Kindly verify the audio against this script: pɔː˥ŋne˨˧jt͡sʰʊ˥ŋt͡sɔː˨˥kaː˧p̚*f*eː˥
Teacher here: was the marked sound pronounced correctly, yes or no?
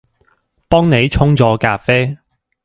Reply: yes